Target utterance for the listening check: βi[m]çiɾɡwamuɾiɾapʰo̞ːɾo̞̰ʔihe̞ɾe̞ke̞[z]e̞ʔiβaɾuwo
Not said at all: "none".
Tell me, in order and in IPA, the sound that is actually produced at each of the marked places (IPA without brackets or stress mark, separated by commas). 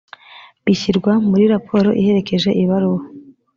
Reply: none, ʒ